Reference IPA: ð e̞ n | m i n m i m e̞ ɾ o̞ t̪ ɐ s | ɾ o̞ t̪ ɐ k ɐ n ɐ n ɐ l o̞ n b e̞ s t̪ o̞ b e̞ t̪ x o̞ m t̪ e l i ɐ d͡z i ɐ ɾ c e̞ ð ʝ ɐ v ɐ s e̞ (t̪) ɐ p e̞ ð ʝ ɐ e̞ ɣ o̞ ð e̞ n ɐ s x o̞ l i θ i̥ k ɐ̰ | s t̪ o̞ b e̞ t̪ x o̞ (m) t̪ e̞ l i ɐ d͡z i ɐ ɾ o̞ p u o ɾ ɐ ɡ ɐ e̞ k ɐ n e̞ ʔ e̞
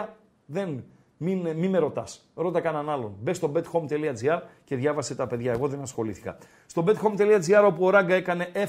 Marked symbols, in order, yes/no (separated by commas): yes, yes